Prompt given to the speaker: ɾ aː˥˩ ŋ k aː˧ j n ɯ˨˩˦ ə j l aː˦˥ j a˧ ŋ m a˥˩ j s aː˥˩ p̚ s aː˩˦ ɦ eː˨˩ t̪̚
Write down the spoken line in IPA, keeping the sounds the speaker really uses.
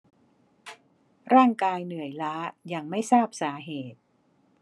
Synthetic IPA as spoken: ɾ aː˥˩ ŋ k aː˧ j n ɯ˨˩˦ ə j l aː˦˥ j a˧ ŋ m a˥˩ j s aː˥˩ p̚ s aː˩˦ ɦ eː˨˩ t̪̚